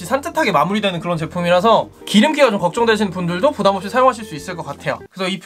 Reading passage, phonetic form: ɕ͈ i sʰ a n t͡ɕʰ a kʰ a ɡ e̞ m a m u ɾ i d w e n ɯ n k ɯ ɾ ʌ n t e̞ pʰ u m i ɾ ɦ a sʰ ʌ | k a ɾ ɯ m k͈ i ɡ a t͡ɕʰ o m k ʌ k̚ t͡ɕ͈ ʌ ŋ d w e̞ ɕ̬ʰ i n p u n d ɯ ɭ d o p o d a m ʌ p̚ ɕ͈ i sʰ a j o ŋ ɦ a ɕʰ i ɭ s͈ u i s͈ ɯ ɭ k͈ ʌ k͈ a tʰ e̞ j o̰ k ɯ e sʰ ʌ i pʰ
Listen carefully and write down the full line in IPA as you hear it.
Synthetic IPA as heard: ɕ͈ i sʰ a n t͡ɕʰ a tʰ a ɡ e̞ m a m u ɾ i d w e n ɯ n k ɯ ɾ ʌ n t͡ɕ e̞ pʰ u m i ɾ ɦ a sʰ ʌ | k i ɾ ɯ m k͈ i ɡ a t͡ɕ o m k ʌ k̚ t͡ɕ͈ ʌ ŋ d w e̞ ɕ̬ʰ i n p u n d ɯ ɭ d o p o d a m ʌ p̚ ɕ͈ i sʰ a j o ŋ ɦ a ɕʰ i ɭ s͈ u i s͈ ɯ ɭ k͈ ʌ k͈ a tʰ e̞ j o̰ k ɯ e sʰ ʌ i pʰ